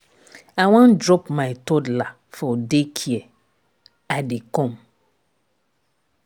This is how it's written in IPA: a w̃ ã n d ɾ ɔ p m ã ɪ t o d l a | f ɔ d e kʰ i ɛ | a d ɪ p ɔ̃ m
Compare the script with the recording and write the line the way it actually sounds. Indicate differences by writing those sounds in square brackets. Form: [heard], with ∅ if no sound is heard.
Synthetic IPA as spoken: a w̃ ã n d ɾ ɔ p m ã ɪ t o d l a | f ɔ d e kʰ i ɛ | a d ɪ [k] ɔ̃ m